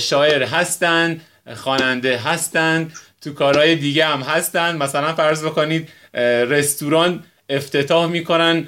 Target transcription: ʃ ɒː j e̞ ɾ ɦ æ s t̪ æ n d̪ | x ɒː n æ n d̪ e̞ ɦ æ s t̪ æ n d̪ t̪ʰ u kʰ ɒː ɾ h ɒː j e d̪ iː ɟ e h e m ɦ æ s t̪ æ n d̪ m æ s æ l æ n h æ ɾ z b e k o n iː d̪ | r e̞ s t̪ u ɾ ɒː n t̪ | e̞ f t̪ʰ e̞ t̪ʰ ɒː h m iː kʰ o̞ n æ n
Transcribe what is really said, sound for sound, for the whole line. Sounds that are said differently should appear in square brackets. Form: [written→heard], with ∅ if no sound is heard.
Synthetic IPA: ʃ ɒː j e̞ ɾ ɦ æ s t̪ æ n d̪ | x ɒː n æ n d̪ e̞ ɦ æ s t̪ æ n d̪ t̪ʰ u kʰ ɒː ɾ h ɒː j e d̪ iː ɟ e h [e→æ] m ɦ æ s t̪ æ n d̪ m æ s æ l æ n [h→f] æ ɾ z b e k o n iː d̪ | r e̞ s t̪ u ɾ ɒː n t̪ | e̞ f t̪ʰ e̞ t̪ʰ ɒː h m iː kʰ o̞ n æ n